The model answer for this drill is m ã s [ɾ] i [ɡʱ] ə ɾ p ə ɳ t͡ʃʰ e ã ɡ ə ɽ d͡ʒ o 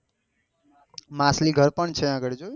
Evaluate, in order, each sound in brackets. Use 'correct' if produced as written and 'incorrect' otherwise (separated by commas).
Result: incorrect, correct